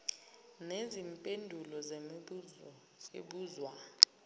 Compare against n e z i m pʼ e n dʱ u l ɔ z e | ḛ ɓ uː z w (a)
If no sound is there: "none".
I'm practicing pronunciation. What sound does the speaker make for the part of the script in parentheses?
a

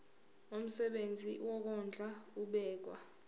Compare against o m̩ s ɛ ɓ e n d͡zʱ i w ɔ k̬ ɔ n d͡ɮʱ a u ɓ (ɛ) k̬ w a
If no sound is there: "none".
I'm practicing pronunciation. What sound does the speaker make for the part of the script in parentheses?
ɛː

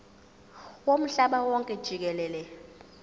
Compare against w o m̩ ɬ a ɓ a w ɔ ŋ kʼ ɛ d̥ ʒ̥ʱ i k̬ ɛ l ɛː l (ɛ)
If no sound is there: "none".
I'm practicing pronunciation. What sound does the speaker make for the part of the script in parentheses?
ɛ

